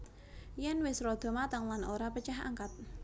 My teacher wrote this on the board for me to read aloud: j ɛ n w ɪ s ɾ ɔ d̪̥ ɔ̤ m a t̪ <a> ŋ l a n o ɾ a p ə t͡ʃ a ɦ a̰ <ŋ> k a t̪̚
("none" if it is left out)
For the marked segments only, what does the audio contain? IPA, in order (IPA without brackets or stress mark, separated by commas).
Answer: a, ŋ